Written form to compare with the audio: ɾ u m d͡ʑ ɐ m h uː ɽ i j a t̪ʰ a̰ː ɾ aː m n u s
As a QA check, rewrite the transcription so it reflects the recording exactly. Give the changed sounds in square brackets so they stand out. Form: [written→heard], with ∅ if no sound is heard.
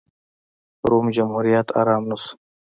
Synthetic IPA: ɾ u m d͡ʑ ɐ m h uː [ɽ→ɾ] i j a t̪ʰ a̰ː ɾ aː m n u s